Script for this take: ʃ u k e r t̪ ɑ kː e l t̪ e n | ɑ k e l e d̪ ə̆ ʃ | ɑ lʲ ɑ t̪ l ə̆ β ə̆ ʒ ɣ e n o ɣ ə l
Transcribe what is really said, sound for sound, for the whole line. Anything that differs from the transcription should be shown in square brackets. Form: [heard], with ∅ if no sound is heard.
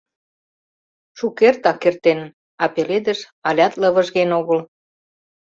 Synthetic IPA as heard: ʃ u k e r t̪ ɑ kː e [r] t̪ e n | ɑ [p] e l e d̪ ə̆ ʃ | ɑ lʲ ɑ t̪ l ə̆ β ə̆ ʒ ɣ e n o ɣ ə l